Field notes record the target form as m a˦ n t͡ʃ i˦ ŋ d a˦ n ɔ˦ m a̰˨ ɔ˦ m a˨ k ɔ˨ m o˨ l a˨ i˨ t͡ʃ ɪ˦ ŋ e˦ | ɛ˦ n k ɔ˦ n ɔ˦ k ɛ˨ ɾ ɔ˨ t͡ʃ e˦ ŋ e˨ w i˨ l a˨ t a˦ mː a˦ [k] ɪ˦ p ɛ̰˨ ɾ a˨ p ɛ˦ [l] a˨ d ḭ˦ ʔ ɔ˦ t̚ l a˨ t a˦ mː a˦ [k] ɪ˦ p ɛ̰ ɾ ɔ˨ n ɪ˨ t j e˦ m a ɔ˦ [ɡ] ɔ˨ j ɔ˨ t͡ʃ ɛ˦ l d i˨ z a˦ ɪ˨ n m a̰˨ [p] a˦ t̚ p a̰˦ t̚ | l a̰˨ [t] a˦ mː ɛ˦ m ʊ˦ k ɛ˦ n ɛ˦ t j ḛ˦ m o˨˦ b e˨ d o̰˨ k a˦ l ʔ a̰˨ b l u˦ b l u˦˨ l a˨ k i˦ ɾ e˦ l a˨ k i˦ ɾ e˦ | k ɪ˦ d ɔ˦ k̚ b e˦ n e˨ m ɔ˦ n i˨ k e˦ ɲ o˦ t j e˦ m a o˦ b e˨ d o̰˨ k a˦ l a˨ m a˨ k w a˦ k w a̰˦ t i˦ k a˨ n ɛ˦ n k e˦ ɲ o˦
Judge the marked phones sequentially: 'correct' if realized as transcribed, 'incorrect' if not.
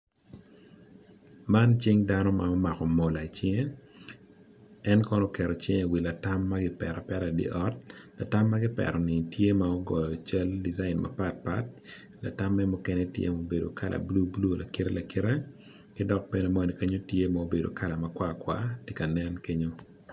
incorrect: ɡ, incorrect: ɾ, incorrect: ɡ, correct, correct, correct

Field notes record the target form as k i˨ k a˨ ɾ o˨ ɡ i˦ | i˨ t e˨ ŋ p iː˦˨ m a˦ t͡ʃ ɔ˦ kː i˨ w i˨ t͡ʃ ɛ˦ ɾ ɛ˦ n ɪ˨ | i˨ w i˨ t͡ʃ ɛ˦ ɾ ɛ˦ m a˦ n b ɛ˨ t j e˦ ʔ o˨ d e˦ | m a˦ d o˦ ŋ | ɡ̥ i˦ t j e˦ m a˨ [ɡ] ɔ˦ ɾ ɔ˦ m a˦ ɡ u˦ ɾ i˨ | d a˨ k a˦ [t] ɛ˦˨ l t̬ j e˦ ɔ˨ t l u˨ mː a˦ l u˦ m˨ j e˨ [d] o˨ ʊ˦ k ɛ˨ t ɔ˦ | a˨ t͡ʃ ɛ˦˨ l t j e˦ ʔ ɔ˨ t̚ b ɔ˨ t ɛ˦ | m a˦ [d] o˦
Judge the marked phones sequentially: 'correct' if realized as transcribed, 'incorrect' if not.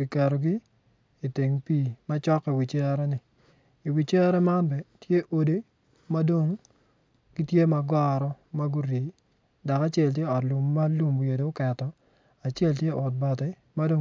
correct, incorrect: t͡ʃ, correct, correct

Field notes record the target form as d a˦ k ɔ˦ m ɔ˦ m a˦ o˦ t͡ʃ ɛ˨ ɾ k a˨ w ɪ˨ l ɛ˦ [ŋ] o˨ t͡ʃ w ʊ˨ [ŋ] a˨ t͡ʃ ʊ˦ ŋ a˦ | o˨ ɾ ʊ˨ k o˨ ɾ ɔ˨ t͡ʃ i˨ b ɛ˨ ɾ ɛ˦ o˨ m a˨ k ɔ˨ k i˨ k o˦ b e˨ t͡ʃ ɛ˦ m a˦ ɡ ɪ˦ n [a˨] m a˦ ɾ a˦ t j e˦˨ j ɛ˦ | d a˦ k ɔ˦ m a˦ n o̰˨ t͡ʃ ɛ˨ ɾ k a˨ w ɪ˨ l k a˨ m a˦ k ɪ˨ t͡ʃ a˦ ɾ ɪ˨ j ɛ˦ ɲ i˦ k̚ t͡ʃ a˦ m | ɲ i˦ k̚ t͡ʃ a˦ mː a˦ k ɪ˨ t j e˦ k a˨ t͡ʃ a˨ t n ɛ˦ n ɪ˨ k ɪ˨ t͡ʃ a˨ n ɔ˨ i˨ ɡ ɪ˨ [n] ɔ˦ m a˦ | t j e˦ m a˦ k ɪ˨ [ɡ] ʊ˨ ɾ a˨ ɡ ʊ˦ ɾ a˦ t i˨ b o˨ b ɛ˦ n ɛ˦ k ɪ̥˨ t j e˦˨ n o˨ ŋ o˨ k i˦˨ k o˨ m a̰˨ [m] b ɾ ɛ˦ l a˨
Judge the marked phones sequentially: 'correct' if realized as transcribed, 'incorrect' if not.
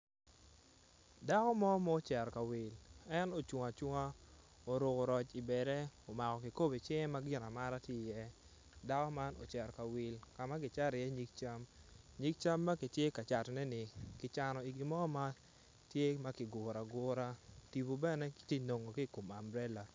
incorrect: n, correct, correct, incorrect: m, correct, correct

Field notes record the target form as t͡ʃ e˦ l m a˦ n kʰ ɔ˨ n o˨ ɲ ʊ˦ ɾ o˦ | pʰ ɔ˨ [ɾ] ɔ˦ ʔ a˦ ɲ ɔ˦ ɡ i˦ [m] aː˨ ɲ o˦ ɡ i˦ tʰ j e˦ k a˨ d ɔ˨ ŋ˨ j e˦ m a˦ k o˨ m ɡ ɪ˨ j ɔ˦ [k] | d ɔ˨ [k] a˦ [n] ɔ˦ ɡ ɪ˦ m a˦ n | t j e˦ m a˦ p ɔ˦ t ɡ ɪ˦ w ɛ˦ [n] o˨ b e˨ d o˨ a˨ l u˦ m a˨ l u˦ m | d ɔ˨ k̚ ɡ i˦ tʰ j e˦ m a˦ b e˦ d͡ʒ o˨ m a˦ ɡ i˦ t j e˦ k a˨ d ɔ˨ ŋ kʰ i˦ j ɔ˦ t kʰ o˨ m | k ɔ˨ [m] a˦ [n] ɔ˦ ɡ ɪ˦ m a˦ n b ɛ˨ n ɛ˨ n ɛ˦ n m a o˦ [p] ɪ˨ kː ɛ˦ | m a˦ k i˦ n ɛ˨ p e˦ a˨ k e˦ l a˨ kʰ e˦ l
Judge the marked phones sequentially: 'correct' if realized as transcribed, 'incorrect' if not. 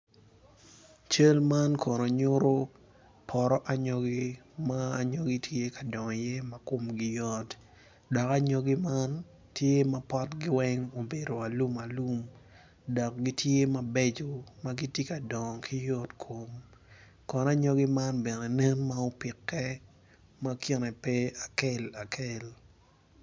correct, correct, incorrect: t, correct, incorrect: ɲ, incorrect: ŋ, incorrect: n, incorrect: ɲ, correct

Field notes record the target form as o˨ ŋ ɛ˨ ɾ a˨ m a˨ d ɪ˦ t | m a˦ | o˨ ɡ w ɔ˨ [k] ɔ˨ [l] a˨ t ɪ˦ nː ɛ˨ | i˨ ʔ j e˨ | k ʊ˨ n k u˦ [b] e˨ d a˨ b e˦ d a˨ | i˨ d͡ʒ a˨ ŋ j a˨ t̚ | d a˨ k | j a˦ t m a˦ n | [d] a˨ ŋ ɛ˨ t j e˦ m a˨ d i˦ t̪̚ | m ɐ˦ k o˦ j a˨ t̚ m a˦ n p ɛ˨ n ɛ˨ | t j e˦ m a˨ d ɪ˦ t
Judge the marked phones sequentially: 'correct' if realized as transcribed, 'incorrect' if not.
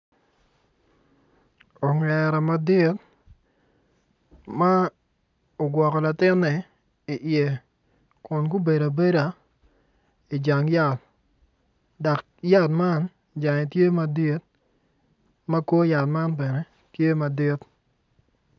correct, correct, correct, incorrect: d͡ʒ

